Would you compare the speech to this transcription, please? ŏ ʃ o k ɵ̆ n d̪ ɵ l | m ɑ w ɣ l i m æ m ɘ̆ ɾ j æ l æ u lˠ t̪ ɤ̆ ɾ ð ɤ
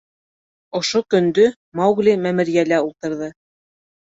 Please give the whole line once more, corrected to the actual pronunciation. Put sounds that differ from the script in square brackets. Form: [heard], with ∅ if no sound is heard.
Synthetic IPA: ŏ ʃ o k ɵ̆ n d̪ ɵ [∅] | m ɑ w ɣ l i m æ m ɘ̆ ɾ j æ l æ u lˠ t̪ ɤ̆ ɾ ð ɤ